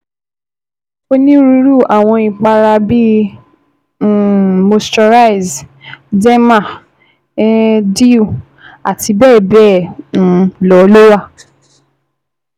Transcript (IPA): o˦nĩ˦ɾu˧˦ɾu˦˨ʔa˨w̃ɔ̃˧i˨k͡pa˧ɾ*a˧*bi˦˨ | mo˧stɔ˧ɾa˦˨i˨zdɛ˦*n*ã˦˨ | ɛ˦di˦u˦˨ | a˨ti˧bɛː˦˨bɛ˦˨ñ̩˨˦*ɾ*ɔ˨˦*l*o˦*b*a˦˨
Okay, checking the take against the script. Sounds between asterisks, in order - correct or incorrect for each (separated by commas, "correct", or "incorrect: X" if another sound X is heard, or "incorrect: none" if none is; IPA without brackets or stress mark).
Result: correct, incorrect: m, incorrect: l, correct, incorrect: w